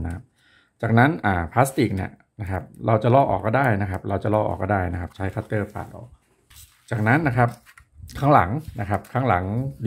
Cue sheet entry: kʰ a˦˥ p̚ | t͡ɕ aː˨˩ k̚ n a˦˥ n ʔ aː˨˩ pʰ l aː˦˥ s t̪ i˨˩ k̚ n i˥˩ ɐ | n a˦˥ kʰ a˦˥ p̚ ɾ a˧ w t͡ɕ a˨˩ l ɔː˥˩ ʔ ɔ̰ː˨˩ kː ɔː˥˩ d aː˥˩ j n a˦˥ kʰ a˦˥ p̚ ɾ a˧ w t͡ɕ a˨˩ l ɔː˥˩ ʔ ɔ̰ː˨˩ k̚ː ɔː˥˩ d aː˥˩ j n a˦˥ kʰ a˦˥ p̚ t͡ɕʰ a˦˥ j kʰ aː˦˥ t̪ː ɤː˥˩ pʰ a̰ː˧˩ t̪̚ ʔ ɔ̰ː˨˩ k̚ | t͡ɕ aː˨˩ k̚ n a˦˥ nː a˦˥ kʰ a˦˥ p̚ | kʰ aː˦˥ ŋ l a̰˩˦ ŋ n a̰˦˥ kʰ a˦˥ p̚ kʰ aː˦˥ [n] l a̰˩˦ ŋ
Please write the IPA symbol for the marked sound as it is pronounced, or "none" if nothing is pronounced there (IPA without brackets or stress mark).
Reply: ŋ